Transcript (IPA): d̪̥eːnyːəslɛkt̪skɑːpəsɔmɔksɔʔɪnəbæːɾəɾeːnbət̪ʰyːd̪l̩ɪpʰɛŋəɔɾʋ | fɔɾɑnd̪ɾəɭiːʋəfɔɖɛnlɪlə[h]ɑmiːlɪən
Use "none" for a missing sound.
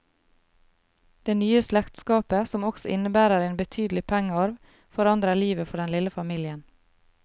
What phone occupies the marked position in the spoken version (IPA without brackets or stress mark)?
f